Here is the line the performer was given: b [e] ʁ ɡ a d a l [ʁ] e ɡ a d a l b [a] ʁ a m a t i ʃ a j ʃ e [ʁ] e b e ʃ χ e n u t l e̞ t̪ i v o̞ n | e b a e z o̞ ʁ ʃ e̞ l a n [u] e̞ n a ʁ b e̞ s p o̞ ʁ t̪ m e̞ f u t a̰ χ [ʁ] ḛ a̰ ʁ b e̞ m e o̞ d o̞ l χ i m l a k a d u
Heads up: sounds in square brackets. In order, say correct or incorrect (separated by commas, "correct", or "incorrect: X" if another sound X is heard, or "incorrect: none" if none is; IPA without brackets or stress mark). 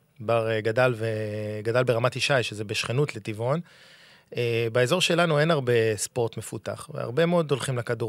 incorrect: a, incorrect: v, incorrect: e, incorrect: z, correct, incorrect: v